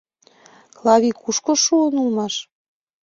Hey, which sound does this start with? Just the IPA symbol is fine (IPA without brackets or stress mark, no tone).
k